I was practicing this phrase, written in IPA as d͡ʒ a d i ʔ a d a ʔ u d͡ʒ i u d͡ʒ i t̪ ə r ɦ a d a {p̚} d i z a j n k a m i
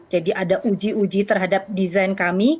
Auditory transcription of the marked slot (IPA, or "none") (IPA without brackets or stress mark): p̚